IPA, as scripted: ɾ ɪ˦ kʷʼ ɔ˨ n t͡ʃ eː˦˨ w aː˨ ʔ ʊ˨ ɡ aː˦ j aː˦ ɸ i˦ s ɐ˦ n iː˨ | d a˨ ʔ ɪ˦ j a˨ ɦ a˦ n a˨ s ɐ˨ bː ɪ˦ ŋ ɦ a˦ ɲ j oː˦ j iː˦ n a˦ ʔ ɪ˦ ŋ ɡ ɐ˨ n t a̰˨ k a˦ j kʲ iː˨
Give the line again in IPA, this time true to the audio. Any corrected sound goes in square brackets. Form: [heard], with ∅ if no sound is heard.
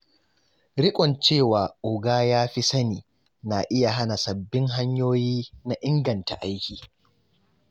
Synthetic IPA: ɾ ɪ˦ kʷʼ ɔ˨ n t͡ʃ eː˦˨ w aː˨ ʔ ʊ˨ ɡ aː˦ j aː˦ ɸ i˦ s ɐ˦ n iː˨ | [n] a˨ ʔ ɪ˦ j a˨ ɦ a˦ n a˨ s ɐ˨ bː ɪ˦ ŋ ɦ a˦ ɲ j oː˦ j iː˦ n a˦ ʔ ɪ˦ ŋ ɡ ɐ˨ n t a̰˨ [ʔ] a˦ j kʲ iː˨